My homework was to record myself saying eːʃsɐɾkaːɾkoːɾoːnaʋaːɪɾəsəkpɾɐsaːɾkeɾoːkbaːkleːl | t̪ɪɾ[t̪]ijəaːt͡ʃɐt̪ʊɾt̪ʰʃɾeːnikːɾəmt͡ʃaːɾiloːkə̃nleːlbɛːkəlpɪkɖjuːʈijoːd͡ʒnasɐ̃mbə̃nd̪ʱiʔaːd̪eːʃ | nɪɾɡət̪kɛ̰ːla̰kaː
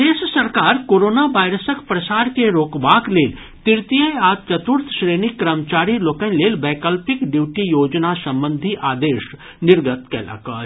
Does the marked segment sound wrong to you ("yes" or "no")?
no